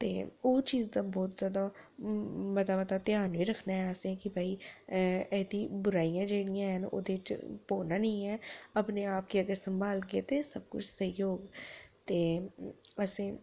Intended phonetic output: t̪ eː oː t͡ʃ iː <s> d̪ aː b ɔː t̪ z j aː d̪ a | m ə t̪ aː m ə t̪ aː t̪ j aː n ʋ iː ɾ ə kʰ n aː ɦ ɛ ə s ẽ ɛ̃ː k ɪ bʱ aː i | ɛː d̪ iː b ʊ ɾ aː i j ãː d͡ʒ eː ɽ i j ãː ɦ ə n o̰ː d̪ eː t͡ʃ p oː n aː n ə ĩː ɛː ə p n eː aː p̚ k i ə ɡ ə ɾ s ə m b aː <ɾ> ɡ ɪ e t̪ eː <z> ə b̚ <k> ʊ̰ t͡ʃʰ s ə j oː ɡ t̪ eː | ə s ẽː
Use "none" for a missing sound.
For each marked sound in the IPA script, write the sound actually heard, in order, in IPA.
z, l, s, k

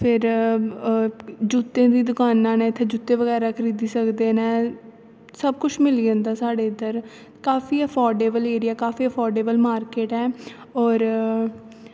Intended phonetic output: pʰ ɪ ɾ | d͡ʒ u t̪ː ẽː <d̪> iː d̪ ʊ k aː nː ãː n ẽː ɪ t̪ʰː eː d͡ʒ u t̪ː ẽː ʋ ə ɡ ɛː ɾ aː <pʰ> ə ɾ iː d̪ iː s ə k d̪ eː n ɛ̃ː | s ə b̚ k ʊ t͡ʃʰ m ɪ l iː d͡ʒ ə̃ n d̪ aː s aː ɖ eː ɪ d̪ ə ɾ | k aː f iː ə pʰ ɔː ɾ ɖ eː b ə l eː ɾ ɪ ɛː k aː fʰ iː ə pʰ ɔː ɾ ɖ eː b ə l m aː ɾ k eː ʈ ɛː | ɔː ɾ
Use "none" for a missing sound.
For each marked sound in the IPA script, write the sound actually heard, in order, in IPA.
d̪, kʰ

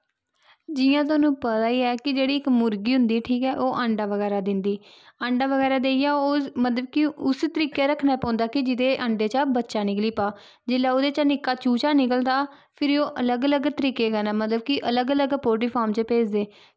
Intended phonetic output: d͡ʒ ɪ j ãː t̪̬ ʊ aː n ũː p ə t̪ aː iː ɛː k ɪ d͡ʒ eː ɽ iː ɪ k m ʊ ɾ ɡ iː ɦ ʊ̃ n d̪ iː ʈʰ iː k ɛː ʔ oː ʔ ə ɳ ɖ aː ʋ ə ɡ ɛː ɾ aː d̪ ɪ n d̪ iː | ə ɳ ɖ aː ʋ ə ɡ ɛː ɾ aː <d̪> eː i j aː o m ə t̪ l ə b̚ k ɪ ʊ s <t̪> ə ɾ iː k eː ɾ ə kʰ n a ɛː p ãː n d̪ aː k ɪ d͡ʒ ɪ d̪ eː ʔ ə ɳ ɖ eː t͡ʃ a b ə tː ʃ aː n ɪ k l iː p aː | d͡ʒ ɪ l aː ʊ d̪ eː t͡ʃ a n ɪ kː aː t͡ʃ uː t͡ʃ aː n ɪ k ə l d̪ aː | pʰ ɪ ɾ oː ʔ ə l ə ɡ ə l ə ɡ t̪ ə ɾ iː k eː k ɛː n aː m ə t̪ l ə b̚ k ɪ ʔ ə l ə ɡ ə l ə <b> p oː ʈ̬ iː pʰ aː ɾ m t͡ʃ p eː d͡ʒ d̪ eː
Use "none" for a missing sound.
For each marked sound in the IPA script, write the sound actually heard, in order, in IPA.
d̪, t̪, ɡ

